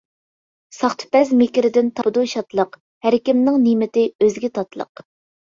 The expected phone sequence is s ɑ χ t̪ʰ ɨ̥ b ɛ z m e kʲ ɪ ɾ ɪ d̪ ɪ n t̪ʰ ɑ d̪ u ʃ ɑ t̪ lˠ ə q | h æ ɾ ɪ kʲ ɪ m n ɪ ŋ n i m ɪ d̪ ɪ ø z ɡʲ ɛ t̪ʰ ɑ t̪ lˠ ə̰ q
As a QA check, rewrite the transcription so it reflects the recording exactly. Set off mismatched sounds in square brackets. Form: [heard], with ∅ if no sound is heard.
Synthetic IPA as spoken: s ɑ χ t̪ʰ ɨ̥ [p] ɛ z m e kʲ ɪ ɾ ɪ d̪ ɪ n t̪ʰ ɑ d̪ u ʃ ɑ t̪ lˠ ə q | h æ ɾ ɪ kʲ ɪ m n ɪ ŋ n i m ɪ [t̪] ɪ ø z ɡʲ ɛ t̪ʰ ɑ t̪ lˠ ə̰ q